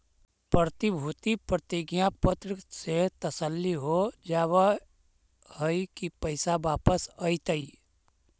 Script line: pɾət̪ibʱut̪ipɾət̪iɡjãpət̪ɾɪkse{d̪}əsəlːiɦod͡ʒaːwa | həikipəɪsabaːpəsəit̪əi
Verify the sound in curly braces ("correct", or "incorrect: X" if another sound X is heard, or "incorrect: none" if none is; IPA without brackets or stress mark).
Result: incorrect: t̪